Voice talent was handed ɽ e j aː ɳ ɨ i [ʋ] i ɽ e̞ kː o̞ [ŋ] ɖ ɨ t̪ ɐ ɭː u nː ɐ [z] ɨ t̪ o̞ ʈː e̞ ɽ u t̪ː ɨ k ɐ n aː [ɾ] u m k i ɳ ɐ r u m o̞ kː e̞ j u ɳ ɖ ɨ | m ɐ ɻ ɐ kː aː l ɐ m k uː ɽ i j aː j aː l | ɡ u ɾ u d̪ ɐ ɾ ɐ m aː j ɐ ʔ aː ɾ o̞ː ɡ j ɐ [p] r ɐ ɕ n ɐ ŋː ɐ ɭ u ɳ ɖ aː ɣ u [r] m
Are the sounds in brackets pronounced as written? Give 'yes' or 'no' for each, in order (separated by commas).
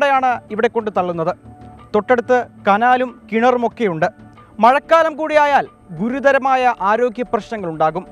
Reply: yes, no, no, no, yes, no